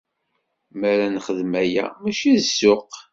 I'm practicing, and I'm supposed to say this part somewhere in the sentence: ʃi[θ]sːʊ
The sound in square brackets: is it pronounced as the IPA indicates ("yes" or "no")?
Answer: no